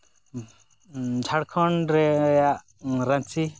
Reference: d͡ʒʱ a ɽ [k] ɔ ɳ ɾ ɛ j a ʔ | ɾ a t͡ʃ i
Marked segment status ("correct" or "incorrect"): incorrect